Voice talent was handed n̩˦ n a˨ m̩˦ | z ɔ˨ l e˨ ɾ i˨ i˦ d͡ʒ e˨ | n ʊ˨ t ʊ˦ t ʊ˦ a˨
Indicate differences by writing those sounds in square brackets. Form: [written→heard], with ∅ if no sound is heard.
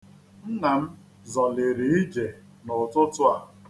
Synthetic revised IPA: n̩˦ n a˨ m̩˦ | z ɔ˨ l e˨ ɾ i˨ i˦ d͡ʒ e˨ | n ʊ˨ t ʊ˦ t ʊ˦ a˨